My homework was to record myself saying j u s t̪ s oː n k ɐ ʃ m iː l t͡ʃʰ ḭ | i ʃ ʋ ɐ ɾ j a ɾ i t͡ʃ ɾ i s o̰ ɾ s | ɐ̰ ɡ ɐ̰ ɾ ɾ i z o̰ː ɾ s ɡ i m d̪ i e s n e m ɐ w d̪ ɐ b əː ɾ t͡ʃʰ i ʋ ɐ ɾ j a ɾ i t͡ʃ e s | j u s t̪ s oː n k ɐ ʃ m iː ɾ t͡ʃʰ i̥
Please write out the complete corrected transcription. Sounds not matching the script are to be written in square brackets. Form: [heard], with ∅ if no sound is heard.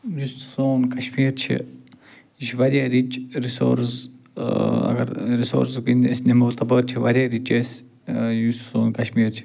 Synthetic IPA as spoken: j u s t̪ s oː n k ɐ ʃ m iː [ɾ] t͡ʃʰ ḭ | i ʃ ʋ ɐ ɾ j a ɾ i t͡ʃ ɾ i s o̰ ɾ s | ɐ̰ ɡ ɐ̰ ɾ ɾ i [s] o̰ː ɾ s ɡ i [n] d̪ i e s n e m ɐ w [t̪] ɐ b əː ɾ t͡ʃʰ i ʋ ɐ ɾ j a ɾ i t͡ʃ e s | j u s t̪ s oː n k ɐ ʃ m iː ɾ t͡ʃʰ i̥